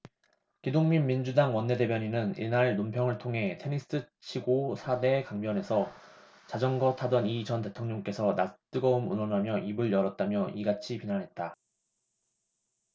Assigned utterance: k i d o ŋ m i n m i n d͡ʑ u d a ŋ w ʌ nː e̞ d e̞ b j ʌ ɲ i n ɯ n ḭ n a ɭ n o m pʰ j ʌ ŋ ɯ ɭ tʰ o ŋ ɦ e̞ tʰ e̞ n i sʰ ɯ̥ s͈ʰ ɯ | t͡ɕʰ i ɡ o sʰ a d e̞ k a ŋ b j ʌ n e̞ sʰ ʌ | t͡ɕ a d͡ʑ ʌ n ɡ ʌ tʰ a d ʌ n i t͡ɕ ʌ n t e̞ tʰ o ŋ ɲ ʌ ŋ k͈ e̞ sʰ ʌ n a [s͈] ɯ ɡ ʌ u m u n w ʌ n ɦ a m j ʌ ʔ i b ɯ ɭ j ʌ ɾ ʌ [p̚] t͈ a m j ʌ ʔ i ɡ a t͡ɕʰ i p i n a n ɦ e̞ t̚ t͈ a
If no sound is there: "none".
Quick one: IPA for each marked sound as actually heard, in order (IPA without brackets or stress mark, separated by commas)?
t͈, t̚